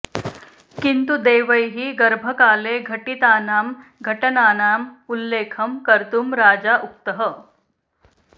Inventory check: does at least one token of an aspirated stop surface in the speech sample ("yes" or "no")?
yes